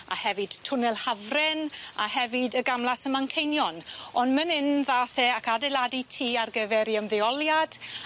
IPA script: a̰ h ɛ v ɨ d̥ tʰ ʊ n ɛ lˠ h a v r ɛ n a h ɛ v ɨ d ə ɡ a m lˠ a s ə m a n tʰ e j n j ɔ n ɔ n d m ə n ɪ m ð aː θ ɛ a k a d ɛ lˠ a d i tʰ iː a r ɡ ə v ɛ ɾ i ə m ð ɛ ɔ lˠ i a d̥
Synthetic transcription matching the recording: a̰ h ɛ v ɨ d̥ tʰ ʊ n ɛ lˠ h a v r ɛ n a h ɛ v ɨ d ə ɡ a m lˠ a s ə m a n kʰ e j n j ɔ n ɔ n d m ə n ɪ n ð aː θ ɛ a k a d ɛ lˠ a d i tʰ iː a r ɡ ə v ɛ ɾ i ə m ð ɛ ɔ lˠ j a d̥